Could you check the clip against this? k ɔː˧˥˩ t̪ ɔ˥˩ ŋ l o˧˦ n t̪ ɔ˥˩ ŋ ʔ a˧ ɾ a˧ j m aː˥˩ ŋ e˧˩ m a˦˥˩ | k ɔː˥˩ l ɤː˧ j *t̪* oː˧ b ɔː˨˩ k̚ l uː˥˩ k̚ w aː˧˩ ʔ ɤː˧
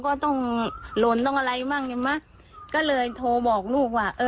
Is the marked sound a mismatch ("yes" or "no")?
yes